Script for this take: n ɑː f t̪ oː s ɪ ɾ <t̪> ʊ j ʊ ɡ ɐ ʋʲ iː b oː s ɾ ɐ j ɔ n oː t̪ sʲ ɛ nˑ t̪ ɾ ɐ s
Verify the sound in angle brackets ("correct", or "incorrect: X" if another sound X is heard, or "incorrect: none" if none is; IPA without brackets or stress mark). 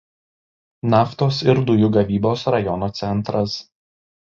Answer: incorrect: d̪